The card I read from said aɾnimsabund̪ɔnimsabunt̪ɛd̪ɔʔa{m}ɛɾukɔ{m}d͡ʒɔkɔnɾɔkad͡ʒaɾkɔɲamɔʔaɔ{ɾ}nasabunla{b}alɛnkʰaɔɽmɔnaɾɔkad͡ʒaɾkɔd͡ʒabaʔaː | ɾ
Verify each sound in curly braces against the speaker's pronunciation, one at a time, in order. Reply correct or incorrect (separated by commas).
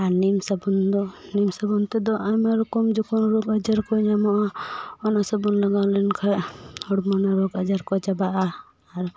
correct, correct, incorrect, incorrect